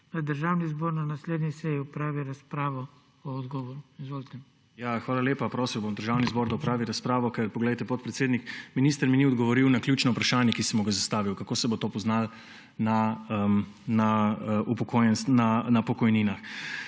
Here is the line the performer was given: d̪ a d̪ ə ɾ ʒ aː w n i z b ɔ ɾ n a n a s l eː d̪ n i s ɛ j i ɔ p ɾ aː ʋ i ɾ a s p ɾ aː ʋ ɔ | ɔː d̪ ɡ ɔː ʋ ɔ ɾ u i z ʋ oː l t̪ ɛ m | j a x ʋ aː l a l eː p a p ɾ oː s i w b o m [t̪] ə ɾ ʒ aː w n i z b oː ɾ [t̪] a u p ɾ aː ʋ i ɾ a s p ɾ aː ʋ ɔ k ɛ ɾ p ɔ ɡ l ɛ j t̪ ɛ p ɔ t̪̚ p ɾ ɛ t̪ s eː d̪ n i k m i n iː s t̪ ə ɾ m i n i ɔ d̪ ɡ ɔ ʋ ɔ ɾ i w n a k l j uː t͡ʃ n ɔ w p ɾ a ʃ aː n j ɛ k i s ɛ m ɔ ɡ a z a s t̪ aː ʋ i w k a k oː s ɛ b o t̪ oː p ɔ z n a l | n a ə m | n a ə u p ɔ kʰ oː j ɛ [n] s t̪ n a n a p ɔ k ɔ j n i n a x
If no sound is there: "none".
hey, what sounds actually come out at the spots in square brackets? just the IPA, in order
d̪, d̪, n

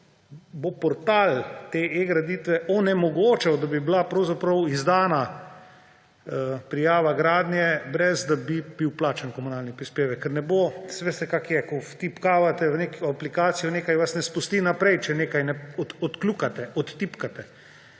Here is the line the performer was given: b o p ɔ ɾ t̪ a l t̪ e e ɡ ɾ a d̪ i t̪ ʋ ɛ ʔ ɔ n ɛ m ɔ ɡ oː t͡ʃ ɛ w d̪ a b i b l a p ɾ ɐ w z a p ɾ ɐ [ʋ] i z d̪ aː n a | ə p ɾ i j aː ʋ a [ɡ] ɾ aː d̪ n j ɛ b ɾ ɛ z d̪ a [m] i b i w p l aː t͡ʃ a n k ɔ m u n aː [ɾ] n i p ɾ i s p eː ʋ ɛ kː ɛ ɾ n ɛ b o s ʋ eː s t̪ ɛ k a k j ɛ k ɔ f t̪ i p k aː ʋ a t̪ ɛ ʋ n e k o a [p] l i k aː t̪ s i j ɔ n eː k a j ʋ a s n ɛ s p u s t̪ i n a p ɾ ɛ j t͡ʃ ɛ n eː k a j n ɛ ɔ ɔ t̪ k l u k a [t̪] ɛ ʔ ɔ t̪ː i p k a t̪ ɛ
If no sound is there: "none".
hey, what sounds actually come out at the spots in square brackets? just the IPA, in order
w, ɡ, b, l, p, t̪

